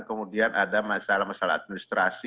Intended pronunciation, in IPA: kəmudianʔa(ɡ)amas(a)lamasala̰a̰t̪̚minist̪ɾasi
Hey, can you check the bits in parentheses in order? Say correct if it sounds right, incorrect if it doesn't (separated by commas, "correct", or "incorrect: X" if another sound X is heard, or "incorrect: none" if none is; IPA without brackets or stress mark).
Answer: incorrect: d, correct